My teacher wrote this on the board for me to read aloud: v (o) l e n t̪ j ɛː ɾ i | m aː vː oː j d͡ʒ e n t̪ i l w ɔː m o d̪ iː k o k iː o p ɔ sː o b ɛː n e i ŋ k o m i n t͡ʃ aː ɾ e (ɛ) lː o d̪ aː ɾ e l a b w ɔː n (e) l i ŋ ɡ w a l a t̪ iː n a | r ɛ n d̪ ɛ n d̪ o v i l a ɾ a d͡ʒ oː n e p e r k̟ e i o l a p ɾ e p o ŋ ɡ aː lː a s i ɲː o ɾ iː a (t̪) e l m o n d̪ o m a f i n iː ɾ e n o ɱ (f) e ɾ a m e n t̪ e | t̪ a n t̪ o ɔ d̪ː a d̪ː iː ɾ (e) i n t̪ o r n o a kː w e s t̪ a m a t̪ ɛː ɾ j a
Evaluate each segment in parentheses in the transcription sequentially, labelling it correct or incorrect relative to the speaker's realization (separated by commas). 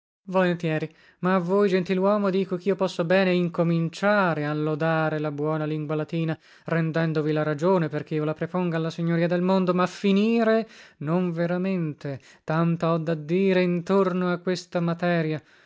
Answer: correct, incorrect, incorrect, incorrect, incorrect, correct